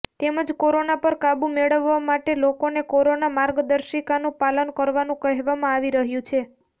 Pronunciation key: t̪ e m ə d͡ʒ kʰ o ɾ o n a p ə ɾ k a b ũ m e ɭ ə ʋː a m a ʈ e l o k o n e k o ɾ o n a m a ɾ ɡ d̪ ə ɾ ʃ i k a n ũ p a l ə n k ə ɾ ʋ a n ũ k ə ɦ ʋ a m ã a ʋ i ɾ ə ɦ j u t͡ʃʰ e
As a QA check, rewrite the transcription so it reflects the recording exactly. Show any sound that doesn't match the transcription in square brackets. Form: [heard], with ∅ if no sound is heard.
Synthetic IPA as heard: t̪ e m ə d͡ʒ [k] o ɾ o n a p ə ɾ k a b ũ m e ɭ ə ʋː a m a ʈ e l o k o n e k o ɾ o n a m a ɾ ɡ d̪ ə ɾ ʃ i k a n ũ p a l ə n k ə ɾ ʋ a n ũ k ə ɦ ʋ a m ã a ʋ i ɾ ə ɦ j [ũ] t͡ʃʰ e